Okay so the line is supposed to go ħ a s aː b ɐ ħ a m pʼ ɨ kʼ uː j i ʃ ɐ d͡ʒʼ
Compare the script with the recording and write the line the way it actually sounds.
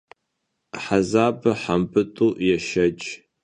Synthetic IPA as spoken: ħ a z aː b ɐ ħ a m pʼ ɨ tʼ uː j ɛ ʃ ɐ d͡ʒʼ